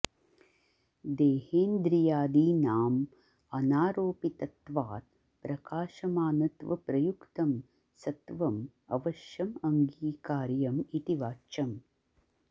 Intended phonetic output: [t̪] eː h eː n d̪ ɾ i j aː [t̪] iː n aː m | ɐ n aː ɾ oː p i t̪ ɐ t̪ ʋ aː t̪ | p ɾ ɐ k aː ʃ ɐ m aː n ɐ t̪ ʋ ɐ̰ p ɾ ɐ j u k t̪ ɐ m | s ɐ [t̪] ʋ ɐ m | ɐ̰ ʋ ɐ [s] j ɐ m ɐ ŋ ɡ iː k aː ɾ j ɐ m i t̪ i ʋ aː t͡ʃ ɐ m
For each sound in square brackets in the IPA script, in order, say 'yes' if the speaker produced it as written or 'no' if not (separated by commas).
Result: no, no, yes, no